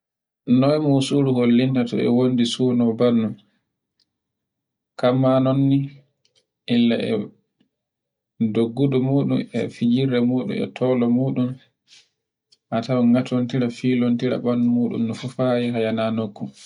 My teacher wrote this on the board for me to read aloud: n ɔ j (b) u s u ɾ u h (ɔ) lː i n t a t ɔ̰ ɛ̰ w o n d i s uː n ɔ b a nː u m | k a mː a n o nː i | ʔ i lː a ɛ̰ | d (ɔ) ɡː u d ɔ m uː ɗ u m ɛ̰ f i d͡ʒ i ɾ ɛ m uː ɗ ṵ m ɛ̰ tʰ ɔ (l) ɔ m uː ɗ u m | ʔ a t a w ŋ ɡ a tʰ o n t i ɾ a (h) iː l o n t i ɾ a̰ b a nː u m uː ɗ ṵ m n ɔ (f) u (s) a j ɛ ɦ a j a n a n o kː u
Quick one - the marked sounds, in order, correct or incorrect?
incorrect, incorrect, incorrect, correct, incorrect, correct, incorrect

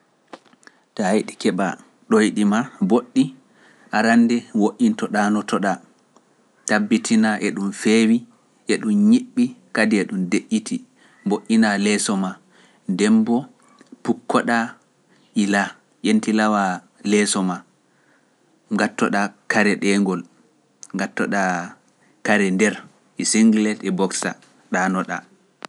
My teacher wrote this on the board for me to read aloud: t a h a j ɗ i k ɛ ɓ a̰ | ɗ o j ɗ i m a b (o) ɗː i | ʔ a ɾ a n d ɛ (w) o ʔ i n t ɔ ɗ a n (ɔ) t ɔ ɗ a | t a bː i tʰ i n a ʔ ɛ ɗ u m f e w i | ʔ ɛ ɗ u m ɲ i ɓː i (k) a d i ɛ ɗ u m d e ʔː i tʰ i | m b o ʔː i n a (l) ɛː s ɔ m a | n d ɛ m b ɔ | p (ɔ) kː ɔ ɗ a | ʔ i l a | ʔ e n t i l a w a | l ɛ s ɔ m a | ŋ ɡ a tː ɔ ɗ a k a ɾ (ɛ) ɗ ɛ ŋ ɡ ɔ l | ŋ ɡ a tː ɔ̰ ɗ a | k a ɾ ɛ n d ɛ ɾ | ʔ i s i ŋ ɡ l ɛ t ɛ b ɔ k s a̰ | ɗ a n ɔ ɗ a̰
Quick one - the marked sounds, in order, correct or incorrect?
correct, correct, correct, correct, correct, incorrect, correct

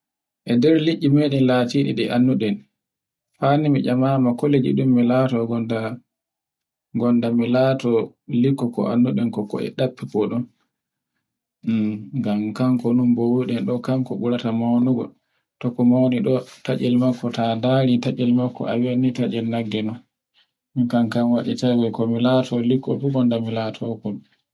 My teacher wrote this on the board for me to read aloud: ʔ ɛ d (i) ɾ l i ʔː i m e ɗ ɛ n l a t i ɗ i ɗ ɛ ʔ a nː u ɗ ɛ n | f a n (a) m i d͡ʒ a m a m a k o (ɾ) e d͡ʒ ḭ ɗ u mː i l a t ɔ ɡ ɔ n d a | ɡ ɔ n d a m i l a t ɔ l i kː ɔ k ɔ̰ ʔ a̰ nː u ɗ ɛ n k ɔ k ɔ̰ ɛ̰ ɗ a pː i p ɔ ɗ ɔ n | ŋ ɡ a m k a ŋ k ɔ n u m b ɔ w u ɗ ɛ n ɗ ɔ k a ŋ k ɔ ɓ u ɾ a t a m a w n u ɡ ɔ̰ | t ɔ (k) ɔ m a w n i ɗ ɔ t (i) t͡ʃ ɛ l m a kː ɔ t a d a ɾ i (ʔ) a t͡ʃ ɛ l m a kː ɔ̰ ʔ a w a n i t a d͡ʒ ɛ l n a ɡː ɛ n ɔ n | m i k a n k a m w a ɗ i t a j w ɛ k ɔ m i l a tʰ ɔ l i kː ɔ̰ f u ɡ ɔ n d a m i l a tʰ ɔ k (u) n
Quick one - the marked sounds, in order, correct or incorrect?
incorrect, incorrect, incorrect, correct, incorrect, incorrect, incorrect

